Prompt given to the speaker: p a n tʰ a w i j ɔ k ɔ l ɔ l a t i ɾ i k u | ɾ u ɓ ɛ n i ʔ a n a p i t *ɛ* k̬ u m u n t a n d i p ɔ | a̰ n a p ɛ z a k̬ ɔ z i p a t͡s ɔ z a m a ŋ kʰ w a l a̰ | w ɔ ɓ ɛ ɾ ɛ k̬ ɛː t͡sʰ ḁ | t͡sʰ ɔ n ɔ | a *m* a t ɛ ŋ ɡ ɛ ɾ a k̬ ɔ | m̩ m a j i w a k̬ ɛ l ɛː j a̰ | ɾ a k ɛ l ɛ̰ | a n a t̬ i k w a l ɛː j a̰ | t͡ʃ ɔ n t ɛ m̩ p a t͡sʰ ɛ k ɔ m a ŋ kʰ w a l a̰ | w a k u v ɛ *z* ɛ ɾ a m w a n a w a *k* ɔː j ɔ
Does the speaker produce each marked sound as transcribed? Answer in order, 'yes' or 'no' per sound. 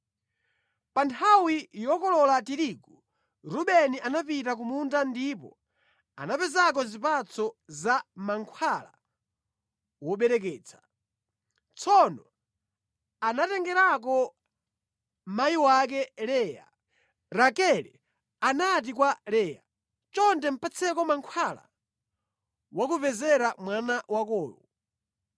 no, no, yes, yes

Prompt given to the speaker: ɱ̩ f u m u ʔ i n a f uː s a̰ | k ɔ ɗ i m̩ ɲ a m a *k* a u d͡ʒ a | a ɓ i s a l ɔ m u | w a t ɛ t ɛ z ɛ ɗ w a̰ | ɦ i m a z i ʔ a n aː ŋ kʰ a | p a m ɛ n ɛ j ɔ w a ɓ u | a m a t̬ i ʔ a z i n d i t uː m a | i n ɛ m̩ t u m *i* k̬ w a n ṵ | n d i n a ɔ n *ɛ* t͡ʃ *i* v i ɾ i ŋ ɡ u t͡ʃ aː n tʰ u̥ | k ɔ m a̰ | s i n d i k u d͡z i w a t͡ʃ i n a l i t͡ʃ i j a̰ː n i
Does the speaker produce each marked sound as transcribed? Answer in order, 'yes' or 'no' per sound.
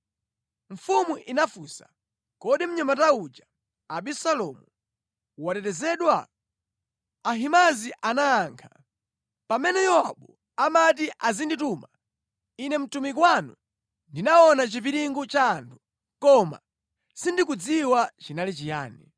no, yes, no, yes

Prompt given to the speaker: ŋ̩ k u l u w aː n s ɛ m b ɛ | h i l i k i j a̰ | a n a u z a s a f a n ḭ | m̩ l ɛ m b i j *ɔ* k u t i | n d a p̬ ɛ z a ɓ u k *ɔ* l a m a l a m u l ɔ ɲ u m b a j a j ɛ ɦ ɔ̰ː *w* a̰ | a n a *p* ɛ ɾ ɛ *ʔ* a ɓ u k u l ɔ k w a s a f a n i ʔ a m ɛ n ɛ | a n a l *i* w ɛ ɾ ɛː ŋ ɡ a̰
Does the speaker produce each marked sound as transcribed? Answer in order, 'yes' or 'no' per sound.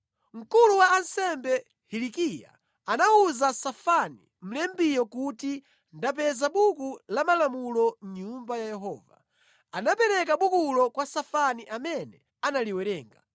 yes, no, no, yes, no, yes

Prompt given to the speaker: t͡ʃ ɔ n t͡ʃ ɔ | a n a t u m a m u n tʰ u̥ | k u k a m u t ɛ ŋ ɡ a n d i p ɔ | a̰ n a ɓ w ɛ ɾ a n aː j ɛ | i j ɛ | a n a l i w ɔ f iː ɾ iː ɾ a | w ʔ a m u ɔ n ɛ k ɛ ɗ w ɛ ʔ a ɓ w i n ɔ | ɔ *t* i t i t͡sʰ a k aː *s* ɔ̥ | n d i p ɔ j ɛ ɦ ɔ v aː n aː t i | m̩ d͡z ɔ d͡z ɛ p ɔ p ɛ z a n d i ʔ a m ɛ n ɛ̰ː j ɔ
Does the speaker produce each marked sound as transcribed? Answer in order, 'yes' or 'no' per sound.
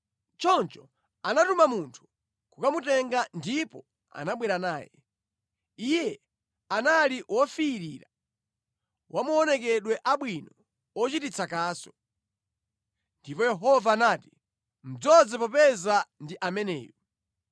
no, yes

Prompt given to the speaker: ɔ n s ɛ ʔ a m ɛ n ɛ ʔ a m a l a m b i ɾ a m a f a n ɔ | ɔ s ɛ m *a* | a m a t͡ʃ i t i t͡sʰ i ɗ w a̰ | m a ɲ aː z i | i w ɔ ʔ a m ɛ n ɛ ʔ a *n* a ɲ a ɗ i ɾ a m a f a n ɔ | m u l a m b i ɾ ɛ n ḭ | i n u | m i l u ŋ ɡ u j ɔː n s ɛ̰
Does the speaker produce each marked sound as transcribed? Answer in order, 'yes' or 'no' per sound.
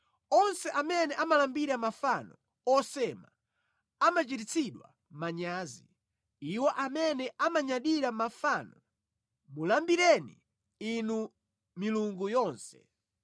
yes, no

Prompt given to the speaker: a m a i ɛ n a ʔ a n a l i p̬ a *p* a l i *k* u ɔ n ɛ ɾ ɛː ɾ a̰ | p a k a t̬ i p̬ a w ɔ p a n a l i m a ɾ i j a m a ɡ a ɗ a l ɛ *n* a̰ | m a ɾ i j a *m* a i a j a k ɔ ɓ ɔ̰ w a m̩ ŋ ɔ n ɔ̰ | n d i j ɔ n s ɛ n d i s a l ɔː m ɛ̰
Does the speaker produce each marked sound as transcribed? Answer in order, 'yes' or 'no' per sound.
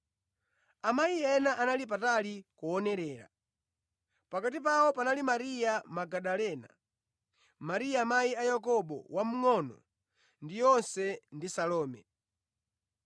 no, yes, yes, yes

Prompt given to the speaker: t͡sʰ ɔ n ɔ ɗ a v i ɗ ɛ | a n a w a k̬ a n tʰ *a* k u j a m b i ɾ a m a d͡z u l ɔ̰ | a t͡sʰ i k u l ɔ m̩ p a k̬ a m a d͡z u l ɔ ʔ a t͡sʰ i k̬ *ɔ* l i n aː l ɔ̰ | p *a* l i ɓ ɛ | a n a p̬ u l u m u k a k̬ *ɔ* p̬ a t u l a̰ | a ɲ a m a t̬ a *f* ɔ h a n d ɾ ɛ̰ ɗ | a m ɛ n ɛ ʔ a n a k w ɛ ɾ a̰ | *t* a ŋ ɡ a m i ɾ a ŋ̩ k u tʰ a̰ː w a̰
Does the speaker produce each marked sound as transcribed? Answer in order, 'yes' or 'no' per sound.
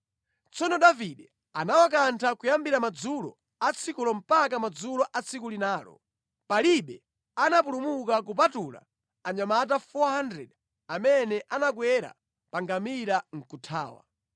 yes, no, yes, no, yes, no

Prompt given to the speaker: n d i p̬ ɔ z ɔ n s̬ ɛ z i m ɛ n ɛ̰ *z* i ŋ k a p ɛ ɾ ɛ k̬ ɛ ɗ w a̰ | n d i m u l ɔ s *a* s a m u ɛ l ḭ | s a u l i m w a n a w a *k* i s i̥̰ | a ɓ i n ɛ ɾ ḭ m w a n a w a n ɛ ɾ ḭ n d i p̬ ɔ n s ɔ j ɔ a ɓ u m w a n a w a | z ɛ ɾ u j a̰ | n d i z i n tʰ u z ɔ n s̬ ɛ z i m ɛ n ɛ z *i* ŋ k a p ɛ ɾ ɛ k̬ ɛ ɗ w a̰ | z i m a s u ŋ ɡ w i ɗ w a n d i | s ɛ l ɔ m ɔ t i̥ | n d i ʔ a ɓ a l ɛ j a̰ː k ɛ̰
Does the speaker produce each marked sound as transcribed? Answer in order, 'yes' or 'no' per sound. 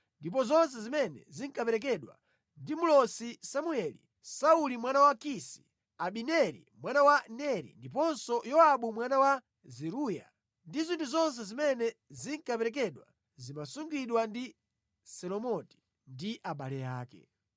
yes, no, yes, yes

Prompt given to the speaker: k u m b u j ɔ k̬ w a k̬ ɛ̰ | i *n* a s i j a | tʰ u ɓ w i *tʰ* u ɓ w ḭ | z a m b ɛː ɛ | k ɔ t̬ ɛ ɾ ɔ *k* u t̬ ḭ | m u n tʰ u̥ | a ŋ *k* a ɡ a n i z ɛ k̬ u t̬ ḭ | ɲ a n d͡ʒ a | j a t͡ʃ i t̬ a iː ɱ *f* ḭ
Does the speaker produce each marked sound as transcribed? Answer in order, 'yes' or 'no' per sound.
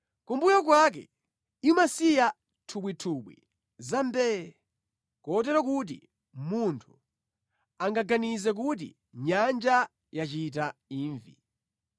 no, yes, yes, no, no

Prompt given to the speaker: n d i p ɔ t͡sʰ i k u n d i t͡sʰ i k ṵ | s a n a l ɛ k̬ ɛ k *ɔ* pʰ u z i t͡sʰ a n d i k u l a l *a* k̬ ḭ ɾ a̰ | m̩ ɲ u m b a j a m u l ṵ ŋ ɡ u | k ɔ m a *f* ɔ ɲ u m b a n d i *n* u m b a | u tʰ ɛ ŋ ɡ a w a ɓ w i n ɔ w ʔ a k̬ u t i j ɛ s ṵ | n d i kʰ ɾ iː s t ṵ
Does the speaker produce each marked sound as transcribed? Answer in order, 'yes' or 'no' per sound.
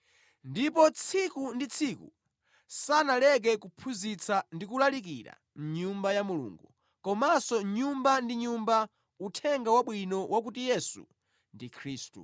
no, no, no, no

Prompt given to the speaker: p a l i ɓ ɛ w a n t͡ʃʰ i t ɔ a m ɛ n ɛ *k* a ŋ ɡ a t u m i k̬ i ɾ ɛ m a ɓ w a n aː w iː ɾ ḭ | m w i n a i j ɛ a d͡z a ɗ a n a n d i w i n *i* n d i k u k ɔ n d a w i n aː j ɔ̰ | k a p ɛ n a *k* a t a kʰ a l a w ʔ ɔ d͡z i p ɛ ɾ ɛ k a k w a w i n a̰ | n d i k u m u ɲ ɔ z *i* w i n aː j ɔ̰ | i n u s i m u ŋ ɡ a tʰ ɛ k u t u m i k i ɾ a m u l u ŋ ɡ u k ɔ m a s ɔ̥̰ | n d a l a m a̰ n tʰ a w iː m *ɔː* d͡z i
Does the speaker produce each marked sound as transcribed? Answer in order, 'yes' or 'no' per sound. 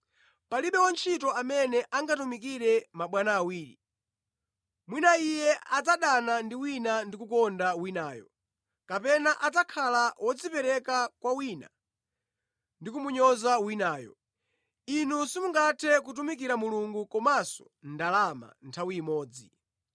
no, no, no, no, yes

